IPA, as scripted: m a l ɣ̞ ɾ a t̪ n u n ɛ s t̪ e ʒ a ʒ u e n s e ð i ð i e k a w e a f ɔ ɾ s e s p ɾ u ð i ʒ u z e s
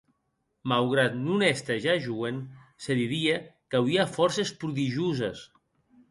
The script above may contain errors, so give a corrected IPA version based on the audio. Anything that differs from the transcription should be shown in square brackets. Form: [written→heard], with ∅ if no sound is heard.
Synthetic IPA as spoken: m a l ɣ̞ ɾ a t̪ n u n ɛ s t̪ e ʒ a ʒ u e n s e ð i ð i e k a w [e→i] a f ɔ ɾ s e s p ɾ u ð i ʒ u z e s